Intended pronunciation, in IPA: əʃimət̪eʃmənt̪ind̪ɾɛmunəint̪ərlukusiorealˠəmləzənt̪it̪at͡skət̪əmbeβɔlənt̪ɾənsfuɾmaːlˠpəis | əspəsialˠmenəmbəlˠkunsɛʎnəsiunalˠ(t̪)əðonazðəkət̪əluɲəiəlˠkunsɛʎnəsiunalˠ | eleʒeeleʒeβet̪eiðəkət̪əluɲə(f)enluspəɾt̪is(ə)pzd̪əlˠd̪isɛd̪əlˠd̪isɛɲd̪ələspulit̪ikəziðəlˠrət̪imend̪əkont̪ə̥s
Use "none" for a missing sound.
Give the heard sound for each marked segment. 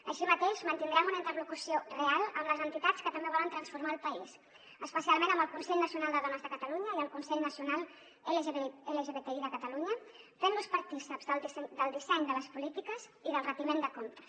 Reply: d̪, f, ə

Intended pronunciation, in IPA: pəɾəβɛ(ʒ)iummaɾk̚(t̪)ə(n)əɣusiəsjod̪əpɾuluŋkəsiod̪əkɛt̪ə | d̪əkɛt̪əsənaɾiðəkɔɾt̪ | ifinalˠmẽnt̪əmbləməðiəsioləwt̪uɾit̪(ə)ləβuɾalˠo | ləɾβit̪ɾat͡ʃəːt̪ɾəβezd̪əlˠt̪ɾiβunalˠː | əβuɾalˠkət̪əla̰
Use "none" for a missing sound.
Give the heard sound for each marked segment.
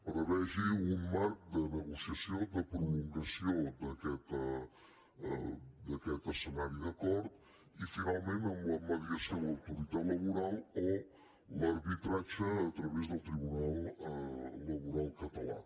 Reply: ʒ, d̪, n, a

